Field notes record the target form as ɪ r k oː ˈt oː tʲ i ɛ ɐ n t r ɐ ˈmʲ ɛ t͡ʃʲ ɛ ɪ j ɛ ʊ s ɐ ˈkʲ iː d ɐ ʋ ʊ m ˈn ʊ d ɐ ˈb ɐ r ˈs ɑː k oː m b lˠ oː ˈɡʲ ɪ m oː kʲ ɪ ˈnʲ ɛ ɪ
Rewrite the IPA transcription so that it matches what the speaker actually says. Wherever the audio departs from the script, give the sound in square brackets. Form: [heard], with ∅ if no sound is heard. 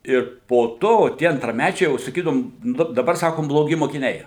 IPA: ɪ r [p] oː ˈt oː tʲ i ɛ ɐ n t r ɐ ˈmʲ [æ] t͡ʃʲ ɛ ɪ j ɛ ʊ s ɐ ˈkʲ iː d ɐ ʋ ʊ m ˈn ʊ d ɐ ˈb ɐ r ˈs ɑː k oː m b lˠ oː ˈɡʲ ɪ m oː kʲ ɪ ˈnʲ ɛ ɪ